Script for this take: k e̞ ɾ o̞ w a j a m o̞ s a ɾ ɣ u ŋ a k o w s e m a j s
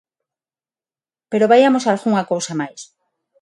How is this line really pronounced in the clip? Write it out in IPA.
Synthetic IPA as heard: p e̞ ɾ o̞ β a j a m o̞ s a l ɣ u ŋ a k o w s a m a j s